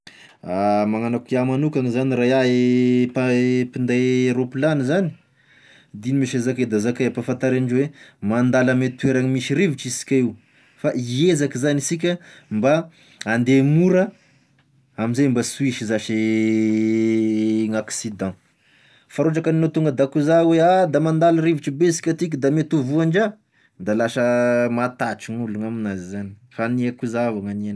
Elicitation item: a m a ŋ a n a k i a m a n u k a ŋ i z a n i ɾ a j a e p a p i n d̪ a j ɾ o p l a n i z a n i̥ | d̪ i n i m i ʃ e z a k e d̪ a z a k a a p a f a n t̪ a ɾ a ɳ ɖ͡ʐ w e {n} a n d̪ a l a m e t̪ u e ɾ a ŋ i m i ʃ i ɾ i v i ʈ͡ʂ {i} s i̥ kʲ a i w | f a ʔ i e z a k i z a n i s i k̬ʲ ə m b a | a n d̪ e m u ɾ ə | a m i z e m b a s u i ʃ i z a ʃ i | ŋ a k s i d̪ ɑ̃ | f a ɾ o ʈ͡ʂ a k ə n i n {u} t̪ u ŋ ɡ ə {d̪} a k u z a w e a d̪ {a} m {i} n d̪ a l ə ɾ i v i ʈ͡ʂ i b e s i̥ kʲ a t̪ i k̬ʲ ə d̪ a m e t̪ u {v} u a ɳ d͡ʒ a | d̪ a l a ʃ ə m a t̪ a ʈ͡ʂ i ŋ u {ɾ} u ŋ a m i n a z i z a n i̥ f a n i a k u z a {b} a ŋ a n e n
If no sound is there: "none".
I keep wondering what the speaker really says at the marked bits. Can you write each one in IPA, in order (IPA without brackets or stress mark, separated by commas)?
m, i, o, d̪, a, a, v, l, v